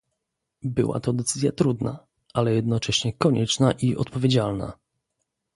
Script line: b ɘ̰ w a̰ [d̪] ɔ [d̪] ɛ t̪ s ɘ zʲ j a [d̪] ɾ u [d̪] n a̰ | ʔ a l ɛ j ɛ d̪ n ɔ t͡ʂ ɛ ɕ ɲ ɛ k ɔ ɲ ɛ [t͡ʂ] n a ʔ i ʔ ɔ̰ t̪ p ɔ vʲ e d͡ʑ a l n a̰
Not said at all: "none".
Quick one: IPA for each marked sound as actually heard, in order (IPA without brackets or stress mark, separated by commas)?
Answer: t̪, d̪, t̪, d̪, t͡ʂ